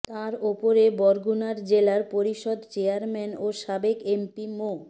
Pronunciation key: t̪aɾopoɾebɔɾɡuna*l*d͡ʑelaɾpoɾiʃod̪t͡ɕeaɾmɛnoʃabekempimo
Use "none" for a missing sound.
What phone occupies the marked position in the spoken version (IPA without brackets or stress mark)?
ɾ